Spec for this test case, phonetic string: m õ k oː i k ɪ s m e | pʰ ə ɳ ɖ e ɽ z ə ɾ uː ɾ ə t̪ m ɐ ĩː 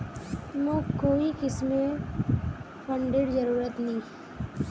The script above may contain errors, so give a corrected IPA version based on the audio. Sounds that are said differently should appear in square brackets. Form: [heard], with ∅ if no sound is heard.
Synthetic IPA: m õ k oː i k ɪ s m e | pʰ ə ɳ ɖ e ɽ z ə ɾ uː ɾ ə t̪ [n] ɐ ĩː